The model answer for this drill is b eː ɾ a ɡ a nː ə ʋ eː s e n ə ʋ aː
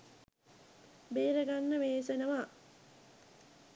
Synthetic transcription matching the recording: b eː ɾ ə ɡ a nː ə ʋ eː s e n ə ʋ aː

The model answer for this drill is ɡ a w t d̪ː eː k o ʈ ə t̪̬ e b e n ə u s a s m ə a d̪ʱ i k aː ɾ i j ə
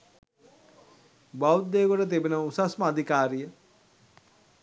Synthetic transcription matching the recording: b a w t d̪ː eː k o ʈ ə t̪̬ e b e n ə u s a s m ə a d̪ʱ i k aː ɾ i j ə

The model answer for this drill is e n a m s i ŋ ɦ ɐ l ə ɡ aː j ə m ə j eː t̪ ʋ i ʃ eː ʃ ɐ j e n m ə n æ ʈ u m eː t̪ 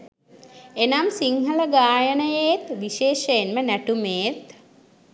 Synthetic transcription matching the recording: e n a m s i ŋ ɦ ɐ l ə ɡ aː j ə n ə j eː t̪ ʋ i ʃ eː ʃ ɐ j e n m ə n æ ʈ u m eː t̪

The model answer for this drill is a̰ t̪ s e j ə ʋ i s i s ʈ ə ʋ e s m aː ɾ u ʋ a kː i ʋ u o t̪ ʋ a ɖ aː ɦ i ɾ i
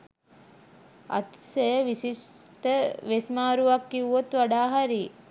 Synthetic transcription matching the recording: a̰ t̪ s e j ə ʋ i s i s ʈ ə ʋ e s m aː ɾ u ʋ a kː i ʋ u o t̪ ʋ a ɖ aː ɦ a ɾ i

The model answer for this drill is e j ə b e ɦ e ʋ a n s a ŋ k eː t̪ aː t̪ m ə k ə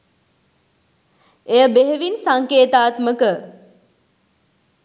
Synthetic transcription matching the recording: e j ə b e ɦ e ʋ i n s a ŋ k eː t̪ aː t̪ m ə k ə

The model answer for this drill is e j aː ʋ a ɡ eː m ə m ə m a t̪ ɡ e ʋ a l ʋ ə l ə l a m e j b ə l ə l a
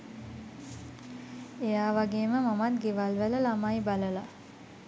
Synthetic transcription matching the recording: e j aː ʋ a ɡ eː m ə m a m a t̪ ɡ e ʋ a l ʋ ə l ə l a m a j b a l ə l a

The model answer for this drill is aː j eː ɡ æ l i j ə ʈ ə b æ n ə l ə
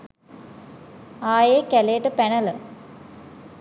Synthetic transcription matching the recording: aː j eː k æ l e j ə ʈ ə p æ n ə l ə

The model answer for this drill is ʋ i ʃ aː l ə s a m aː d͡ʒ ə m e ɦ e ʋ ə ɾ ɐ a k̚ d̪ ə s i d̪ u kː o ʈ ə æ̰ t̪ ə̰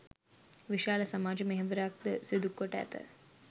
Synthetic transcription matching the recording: ʋ i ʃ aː l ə s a m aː d͡ʒ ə m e ɦ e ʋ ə ɾ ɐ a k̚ d̪ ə s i d̪ u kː o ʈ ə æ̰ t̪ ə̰

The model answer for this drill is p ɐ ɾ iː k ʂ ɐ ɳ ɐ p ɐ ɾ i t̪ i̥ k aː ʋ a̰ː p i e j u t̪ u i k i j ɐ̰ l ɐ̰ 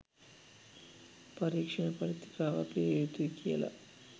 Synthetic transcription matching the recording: p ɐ ɾ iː k ʂ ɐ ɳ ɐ p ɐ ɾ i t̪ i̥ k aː ʋ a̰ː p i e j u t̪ u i k i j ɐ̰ l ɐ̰

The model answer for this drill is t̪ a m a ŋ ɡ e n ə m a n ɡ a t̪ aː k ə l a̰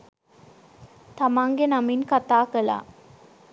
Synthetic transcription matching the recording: t̪ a m a ŋ ɡ e n a m i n k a t̪ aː k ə l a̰

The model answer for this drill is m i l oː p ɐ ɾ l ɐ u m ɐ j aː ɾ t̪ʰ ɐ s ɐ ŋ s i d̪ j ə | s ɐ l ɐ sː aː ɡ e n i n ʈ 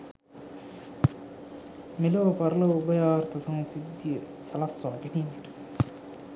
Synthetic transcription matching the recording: m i l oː p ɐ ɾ l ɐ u b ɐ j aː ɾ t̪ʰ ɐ s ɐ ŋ s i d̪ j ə | s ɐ l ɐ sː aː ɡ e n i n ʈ

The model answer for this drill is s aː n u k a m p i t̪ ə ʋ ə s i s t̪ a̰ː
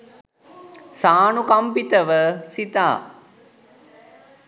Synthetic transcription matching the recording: s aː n u k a m p i t̪ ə ʋ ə s i t̪ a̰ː

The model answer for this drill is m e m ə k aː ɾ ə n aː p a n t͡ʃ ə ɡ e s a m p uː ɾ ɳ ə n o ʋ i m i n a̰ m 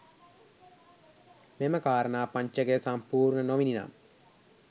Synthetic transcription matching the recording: m e m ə k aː ɾ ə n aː p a ɲ t͡ʃ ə ɡ e s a m p uː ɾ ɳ ə n o ʋ i n i n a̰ m

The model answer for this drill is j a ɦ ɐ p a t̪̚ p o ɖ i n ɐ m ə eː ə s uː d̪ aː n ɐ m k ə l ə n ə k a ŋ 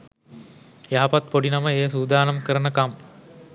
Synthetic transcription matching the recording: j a ɦ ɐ p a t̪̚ p o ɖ i n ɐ m ə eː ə s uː d̪ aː n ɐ m k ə ɾ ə n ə k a m

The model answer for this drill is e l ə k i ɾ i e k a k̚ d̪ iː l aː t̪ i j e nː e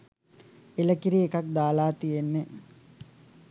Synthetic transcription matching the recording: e l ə k i ɾ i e k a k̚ d̪ aː l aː t̪ i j e nː e

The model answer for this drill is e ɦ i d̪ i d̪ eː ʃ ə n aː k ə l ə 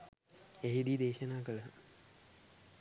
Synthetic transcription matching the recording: e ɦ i d̪ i d̪ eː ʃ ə n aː k ə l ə

